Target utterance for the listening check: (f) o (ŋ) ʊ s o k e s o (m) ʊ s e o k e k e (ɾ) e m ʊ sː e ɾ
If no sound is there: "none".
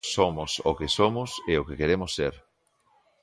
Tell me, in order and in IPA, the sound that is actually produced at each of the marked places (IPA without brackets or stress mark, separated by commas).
s, m, m, ɾ